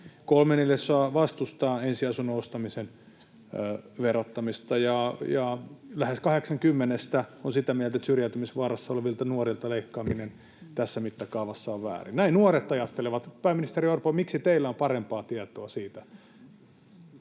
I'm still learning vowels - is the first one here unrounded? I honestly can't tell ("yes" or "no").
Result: no